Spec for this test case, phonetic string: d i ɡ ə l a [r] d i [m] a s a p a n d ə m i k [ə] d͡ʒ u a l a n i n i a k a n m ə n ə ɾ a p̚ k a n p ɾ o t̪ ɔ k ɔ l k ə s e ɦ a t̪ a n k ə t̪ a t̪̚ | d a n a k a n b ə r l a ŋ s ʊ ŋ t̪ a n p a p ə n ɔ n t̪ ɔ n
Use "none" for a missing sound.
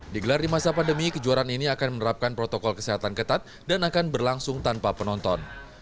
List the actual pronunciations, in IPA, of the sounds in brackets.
r, m, ə

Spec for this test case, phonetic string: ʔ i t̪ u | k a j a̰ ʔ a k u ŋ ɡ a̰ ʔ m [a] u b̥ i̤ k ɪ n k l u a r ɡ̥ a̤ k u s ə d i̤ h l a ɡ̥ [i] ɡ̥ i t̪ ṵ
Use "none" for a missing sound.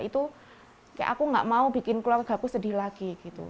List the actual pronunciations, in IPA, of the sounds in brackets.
a, i

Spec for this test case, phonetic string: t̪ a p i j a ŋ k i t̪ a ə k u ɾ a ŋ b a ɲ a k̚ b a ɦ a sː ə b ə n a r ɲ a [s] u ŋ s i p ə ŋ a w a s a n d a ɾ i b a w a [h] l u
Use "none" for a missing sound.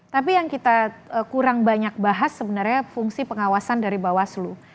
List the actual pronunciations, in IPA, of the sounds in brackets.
f, s

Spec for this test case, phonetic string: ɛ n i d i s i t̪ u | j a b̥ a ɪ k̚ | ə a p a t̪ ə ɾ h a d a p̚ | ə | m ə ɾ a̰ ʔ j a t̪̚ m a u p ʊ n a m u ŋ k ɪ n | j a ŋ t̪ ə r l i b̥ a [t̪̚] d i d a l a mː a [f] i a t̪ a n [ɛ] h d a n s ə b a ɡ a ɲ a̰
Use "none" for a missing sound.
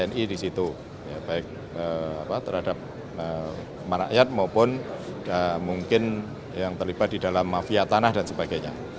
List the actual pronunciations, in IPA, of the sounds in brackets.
t̪̚, f, a

